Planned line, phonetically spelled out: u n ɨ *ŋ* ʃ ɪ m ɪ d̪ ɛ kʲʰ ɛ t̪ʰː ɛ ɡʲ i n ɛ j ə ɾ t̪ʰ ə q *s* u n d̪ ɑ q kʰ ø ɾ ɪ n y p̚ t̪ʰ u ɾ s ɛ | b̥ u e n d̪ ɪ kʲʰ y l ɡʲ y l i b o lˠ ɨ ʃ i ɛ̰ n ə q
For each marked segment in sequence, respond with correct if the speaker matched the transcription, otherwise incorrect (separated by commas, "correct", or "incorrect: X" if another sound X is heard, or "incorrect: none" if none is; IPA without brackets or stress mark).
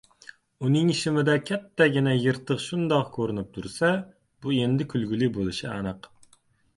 correct, incorrect: ʃ